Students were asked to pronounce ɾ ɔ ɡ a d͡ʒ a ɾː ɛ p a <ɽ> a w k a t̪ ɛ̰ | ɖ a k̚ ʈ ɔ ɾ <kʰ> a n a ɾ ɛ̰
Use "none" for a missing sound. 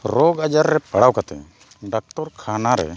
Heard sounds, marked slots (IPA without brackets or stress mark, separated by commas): ɽ, kʰ